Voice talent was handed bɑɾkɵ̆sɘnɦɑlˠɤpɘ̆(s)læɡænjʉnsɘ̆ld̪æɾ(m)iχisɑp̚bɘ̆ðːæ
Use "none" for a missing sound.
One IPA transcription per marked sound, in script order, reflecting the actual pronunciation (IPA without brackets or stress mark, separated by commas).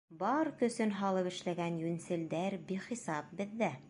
ʃ, b